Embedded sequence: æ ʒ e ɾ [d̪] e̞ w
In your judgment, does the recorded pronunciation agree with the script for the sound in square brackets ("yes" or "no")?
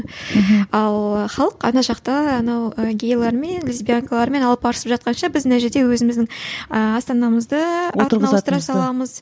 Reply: yes